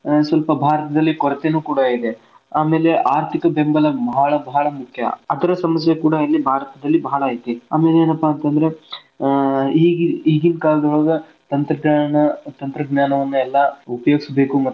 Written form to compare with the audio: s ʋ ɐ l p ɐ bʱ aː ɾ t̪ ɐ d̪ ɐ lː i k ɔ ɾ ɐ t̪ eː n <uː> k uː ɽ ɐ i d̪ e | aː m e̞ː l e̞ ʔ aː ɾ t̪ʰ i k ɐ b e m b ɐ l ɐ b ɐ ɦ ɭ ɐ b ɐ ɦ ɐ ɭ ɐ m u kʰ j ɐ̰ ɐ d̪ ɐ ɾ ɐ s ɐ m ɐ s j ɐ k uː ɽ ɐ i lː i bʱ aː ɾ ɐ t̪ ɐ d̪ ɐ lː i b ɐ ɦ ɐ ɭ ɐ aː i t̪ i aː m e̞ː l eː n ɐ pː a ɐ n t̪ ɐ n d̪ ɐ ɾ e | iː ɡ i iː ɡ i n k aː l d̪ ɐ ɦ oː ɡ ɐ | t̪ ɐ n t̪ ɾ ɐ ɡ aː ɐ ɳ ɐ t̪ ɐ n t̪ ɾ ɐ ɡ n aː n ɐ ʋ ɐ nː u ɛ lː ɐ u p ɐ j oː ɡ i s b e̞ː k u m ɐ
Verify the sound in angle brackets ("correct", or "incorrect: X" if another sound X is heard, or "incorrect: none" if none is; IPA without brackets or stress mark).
correct